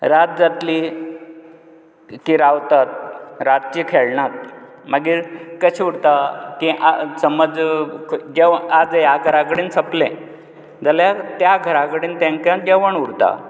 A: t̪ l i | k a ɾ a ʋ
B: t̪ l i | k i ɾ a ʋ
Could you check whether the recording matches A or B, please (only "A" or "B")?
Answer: B